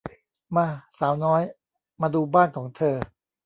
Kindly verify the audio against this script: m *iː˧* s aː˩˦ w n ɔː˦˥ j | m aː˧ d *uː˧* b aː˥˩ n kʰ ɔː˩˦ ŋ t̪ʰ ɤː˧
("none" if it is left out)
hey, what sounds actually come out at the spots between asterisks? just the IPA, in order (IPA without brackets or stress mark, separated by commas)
aː˧, uː˧